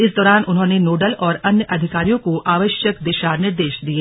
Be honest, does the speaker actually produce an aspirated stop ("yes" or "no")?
no